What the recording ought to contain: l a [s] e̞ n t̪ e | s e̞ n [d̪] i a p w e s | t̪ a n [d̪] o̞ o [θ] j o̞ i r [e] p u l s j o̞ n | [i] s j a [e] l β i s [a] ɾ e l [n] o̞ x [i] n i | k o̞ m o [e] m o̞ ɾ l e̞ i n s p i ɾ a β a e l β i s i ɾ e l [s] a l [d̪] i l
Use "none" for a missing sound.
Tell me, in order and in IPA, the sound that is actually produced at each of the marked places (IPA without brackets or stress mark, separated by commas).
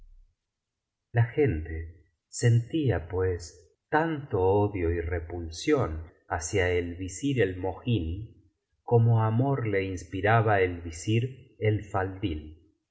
x, t̪, t̪, ð, e, a, e, i, m, i, a, f, d̪